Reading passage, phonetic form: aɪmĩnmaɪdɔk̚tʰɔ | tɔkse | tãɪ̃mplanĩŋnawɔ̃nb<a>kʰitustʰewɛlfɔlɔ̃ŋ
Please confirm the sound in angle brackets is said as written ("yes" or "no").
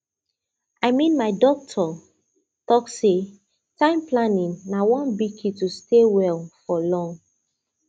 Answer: no